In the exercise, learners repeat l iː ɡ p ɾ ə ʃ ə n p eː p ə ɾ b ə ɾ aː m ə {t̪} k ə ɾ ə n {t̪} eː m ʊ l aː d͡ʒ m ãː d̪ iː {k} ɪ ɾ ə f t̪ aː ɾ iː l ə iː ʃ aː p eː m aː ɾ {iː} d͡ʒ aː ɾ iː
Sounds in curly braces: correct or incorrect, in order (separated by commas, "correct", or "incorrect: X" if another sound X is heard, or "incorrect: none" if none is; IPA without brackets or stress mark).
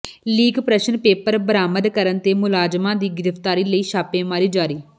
incorrect: d̪, correct, incorrect: ɡ, correct